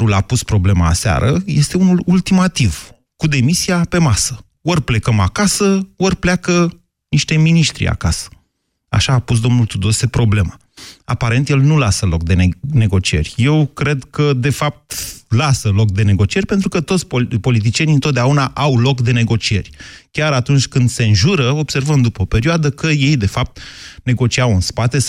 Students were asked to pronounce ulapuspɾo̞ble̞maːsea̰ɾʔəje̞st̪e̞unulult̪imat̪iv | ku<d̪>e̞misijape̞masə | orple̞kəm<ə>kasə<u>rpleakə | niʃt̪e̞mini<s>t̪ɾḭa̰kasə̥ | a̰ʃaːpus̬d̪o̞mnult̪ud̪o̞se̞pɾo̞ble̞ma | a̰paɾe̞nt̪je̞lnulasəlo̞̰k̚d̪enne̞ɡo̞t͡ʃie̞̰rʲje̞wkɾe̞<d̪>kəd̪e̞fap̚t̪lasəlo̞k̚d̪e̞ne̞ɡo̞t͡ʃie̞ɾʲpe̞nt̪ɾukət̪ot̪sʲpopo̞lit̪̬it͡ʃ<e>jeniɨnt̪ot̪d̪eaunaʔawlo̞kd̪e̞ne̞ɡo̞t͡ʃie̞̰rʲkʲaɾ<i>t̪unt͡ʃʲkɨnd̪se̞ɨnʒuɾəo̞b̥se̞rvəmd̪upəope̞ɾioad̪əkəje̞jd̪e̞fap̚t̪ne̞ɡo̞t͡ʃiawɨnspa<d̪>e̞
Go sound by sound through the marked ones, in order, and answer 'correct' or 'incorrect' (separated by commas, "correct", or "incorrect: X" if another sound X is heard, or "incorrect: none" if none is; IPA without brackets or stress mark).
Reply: correct, incorrect: a, incorrect: o, incorrect: ʃ, correct, incorrect: i, incorrect: a, incorrect: t̪